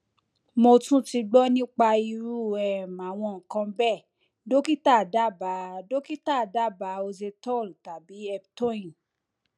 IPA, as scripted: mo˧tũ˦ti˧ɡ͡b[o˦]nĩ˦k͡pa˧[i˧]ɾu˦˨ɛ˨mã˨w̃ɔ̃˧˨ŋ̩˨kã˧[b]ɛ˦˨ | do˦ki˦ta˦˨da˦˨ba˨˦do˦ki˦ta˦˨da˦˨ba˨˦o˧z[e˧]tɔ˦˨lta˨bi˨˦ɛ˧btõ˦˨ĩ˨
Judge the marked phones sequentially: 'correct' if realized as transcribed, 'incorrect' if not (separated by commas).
incorrect, correct, correct, correct